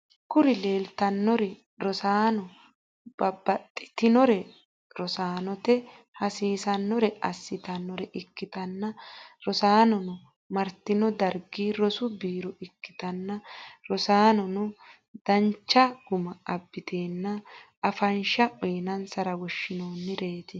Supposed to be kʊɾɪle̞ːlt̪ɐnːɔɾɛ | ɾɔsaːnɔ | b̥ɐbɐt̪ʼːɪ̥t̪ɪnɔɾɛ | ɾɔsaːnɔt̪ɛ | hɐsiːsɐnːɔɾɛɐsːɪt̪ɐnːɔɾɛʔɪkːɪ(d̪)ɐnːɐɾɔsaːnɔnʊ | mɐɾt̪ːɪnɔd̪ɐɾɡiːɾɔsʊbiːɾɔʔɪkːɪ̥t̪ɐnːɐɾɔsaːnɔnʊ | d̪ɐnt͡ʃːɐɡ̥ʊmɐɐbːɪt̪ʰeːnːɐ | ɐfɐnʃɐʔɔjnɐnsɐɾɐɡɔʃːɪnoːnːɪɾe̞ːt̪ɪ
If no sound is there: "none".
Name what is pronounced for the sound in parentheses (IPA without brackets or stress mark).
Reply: t̪